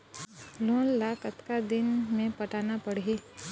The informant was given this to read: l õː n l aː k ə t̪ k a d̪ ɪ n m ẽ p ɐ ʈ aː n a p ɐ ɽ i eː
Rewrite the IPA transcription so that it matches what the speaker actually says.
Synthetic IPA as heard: l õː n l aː k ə t̪ k a d̪ ɪ n m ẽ p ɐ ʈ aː n a p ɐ ɽ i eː